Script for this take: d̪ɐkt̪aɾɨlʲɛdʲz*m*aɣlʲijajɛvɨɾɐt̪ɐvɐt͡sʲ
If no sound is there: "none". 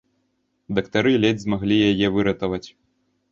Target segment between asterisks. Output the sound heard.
m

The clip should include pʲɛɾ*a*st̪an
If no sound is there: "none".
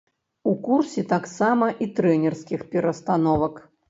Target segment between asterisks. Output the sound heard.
ɐ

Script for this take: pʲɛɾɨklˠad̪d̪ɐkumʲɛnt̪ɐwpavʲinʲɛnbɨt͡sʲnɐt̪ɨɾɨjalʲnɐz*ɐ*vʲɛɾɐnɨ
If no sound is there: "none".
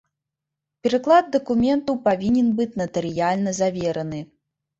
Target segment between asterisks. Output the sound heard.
a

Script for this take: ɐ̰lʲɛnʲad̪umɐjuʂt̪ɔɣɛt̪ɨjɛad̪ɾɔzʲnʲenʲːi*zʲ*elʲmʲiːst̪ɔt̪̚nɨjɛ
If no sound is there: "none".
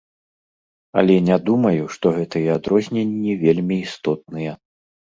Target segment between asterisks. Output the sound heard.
vʲ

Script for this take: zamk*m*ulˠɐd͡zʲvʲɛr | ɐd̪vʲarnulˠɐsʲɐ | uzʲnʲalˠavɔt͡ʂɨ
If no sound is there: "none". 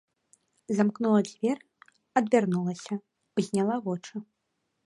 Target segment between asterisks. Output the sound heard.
n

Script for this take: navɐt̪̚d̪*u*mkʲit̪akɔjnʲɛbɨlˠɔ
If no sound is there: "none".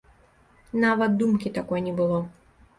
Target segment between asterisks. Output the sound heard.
u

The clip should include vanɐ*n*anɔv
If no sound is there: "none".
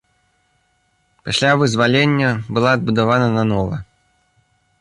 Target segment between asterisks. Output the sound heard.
n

